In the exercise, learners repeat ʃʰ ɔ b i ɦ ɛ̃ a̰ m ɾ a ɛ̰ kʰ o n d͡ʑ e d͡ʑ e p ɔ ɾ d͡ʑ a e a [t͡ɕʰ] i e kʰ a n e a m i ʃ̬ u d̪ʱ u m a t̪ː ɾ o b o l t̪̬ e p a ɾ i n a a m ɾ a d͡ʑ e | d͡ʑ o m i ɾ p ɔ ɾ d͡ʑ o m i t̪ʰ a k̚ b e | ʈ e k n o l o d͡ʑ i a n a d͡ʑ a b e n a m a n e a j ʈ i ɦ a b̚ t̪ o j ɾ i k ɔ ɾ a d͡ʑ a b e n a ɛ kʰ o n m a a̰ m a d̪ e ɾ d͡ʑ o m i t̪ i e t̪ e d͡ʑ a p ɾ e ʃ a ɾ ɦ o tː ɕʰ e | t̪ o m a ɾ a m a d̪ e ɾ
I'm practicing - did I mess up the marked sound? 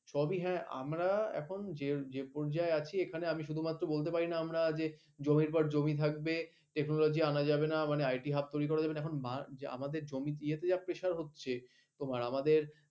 no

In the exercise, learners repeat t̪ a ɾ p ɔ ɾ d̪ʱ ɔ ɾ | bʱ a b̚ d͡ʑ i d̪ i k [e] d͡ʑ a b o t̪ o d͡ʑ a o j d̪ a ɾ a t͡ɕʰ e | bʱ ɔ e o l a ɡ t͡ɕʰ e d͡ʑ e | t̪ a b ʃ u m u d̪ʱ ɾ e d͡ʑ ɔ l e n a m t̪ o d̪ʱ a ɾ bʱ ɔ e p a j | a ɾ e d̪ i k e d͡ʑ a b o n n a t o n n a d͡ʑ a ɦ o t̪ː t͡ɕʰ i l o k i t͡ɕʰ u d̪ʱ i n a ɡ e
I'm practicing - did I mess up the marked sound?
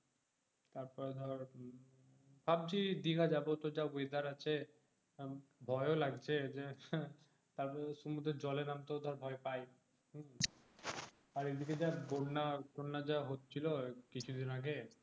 yes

